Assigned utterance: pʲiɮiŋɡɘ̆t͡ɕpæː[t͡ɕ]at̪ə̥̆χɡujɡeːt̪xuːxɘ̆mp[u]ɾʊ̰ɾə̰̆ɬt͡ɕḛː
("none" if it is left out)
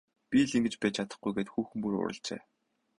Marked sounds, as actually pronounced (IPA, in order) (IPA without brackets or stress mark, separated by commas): t͡ɕʰ, u